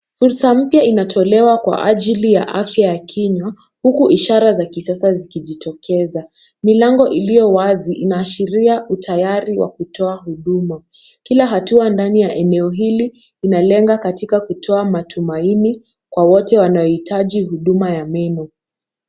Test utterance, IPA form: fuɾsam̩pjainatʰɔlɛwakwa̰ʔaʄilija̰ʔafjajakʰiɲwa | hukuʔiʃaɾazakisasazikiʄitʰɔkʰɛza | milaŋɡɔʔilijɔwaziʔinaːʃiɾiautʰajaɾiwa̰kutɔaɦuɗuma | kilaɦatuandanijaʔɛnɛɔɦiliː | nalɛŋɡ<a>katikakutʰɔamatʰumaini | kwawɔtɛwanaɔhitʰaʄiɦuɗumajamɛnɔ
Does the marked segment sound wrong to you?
no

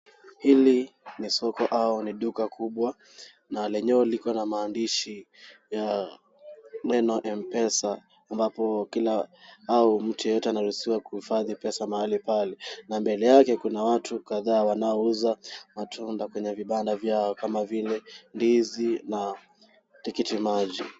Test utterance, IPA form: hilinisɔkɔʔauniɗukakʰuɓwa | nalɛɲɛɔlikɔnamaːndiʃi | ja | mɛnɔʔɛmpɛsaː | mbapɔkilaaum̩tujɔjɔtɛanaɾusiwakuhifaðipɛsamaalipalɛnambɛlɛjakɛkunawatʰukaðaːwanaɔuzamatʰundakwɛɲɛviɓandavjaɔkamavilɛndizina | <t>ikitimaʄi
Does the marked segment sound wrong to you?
no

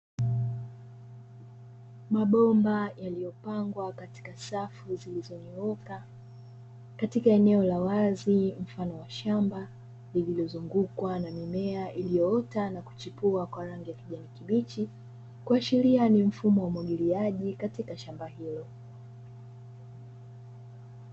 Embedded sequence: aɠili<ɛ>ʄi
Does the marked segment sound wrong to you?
yes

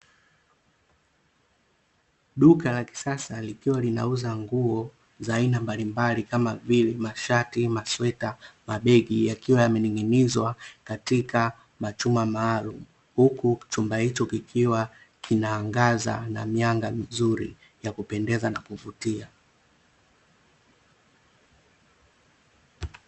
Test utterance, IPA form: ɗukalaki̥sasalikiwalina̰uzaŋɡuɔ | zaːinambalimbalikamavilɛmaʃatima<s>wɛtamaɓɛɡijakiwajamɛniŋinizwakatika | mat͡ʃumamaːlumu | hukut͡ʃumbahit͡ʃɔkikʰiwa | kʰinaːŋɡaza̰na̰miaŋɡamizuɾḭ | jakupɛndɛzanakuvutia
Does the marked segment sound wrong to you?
no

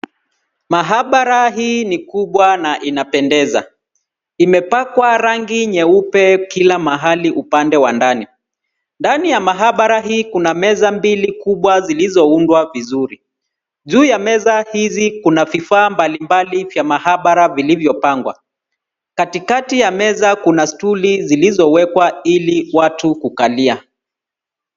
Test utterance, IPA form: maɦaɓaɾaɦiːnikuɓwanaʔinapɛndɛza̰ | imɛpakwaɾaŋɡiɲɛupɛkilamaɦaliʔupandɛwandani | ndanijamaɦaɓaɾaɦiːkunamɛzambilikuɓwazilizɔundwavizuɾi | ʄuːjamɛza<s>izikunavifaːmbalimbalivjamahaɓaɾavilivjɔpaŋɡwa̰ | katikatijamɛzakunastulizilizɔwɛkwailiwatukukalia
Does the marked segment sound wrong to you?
yes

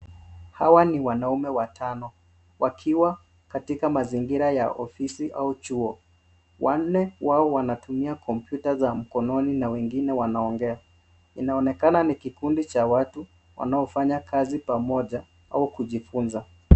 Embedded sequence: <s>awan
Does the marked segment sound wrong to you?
yes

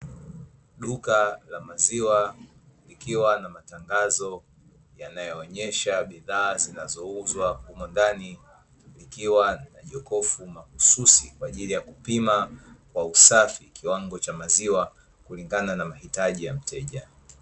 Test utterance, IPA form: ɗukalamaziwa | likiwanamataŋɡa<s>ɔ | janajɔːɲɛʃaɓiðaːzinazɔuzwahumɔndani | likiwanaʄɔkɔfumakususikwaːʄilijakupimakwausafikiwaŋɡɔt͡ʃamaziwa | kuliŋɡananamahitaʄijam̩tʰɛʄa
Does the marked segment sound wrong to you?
yes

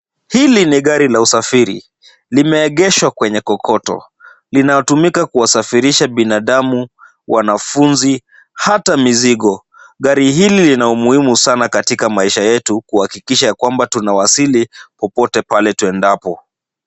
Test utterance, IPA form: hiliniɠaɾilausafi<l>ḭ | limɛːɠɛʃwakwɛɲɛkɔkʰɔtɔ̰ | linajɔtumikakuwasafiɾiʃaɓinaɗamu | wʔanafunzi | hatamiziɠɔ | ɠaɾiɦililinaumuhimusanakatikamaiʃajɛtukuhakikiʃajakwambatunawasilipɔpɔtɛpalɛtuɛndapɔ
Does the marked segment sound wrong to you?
yes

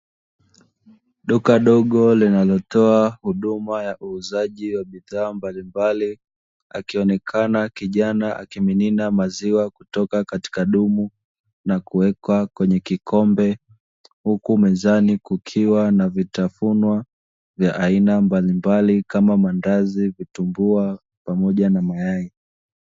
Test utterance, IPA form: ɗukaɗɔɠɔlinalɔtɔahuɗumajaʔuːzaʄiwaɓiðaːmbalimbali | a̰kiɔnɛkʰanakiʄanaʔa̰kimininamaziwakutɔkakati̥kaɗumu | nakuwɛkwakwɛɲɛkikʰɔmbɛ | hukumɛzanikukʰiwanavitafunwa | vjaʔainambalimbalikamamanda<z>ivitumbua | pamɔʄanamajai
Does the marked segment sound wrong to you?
no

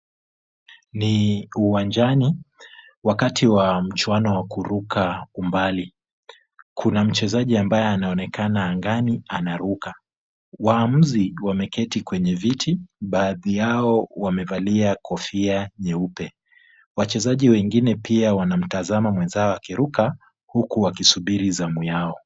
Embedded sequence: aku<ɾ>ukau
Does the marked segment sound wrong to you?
no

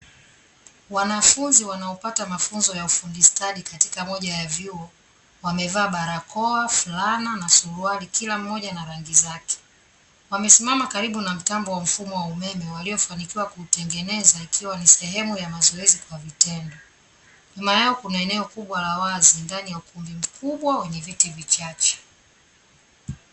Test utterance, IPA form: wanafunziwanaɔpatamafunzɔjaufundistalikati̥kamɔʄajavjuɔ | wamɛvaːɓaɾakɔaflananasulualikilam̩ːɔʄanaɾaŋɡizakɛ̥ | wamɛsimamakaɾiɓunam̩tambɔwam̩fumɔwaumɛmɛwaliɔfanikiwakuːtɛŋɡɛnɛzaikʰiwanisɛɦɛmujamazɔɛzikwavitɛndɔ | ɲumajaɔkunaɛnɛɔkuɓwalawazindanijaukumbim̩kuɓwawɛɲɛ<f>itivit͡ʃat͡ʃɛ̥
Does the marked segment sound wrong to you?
yes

